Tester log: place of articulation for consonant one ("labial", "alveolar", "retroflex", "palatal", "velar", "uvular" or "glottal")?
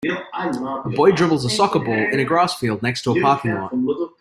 labial